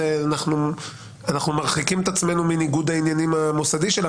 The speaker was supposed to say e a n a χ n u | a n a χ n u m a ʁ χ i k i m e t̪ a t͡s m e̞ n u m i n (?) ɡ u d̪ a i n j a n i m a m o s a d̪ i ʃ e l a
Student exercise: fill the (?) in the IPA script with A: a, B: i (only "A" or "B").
B